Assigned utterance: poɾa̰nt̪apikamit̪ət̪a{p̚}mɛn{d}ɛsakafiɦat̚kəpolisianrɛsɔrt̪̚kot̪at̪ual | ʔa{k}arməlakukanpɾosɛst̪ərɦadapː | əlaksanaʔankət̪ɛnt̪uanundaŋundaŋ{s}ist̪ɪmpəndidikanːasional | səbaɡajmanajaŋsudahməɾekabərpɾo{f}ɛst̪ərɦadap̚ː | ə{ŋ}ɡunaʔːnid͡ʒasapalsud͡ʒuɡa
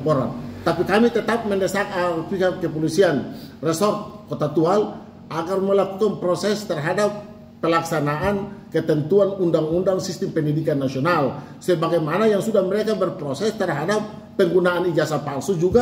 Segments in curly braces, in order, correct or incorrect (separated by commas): correct, correct, incorrect, correct, incorrect, correct